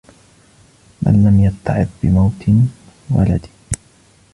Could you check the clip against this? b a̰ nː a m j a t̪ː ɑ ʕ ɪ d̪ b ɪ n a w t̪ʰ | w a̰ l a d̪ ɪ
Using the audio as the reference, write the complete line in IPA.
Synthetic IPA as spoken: m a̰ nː a m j a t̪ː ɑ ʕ ɪ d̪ b ɪ m a w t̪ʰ | w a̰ l a d̪ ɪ

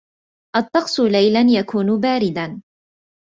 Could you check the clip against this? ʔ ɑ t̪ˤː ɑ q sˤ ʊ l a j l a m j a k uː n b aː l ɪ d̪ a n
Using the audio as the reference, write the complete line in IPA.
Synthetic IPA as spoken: ʔ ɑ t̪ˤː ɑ q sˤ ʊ l a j l a n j a k uː n b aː ɾ ɪ d̪ a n

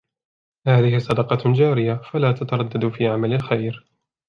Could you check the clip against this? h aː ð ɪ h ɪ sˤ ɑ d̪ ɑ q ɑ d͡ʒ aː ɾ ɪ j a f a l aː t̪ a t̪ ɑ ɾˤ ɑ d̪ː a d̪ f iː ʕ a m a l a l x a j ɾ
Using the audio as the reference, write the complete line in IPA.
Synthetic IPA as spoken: h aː ð ɪ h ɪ sˤ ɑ d̪ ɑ q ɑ d͡ʒ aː ɾ ɪ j a f a l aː t̪ a t̪ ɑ ɾˤ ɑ d̪ː a d̪ f iː ʕ a m a l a l x a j ɾ

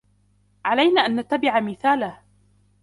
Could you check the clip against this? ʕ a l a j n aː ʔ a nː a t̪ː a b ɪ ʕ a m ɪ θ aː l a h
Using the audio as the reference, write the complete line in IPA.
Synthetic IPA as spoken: ʕ a l a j n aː ʔ a nː a t̪ː a b ɪ ʕ a m ɪ θ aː l a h

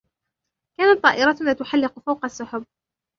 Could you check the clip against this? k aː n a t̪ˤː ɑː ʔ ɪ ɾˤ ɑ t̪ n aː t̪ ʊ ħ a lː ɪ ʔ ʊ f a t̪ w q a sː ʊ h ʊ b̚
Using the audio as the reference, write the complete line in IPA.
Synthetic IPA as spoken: k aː n a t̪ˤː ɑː ʔ ɪ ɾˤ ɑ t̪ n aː t̪ ʊ ħ a lː ɪ q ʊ f a w q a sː ʊ ħ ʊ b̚

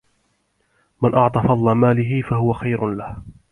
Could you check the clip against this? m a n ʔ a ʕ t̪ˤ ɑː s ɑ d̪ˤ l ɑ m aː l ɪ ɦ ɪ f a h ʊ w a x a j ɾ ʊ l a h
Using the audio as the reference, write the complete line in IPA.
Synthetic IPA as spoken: m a n ʔ ɑ ʕ t̪ˤ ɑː f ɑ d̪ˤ l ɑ m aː l ɪ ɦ ɪ f a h ʊ w a x a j ɾ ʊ l a h

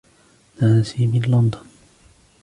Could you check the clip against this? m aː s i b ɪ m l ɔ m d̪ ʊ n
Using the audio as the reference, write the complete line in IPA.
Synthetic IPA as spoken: n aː s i m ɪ n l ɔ n d̪ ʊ n

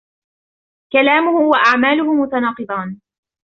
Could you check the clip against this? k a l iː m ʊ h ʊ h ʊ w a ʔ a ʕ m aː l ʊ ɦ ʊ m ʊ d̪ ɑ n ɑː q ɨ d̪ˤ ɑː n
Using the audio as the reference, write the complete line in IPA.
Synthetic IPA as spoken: k a l aː m ʊ h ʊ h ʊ w a ʔ a ʕ m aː l ʊ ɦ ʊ m ʊ t̪ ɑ n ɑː q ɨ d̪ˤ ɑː n

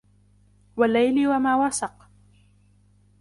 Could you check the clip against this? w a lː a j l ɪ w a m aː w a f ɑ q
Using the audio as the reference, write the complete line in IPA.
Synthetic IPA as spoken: w a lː a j l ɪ w a m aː w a s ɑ q

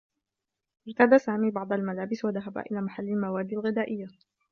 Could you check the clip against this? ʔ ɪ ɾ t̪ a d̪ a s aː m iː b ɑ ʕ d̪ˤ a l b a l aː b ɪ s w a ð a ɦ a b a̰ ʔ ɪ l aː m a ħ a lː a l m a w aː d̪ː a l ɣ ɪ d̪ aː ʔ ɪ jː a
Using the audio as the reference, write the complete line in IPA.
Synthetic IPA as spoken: ʔ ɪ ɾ t̪ a d̪ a s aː m iː b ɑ ʕ d̪ˤ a l m a l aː b ɪ s w a ð a ɦ a b a̰ ʔ ɪ l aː m a ħ a lː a l m a w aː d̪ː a l ɣ ɪ d̪ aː ʔ ɪ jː a

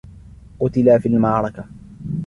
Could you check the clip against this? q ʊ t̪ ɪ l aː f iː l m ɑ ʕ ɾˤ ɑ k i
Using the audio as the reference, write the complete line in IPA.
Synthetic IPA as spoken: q ʊ t̪ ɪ l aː f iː l m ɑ ʕ ɾˤ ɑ k a

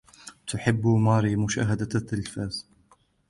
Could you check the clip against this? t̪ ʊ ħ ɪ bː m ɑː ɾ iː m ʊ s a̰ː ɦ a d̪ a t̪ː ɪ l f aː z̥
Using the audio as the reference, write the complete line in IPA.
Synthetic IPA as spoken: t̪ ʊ ħ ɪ bː m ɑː ɾ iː m ʊ ʃ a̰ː ɦ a d̪ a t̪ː ɪ l f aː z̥

